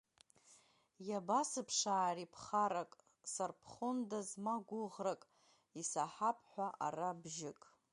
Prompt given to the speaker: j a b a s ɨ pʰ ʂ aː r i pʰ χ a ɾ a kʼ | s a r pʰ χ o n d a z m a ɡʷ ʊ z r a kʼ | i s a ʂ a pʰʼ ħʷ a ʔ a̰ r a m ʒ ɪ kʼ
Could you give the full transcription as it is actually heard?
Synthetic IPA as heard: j a b a s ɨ pʰ ʂ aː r i pʰ χ a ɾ a kʼ | s a r pʰ χ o n d a z m a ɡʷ ʊ ʁ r a kʼ | i s a ħ a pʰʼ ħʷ a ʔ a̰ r a b ʒ ɪ kʼ